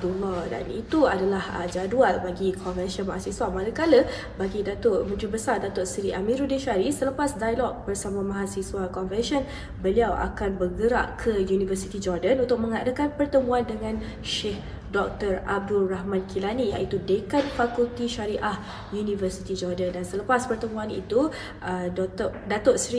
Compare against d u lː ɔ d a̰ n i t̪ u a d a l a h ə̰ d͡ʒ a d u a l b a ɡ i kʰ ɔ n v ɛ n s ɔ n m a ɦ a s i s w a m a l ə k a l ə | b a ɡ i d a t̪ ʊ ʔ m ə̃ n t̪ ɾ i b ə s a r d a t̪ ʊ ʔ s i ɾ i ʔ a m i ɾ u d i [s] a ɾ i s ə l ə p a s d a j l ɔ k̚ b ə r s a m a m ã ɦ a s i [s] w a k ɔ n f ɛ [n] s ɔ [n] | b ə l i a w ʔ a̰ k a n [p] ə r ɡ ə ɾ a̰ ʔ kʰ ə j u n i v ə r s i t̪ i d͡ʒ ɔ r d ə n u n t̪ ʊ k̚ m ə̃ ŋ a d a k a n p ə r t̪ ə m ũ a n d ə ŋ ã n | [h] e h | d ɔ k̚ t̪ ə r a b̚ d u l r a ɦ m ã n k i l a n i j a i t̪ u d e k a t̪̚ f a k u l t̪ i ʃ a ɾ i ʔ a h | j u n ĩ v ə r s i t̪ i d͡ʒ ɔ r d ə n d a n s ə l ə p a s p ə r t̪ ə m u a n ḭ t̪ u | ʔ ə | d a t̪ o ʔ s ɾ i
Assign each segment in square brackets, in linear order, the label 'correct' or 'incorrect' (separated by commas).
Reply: incorrect, correct, correct, correct, incorrect, incorrect